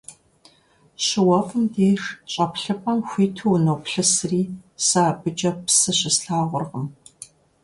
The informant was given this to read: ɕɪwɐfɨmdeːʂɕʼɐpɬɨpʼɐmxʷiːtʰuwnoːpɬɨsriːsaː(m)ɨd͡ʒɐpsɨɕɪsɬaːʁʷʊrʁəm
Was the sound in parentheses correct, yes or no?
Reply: no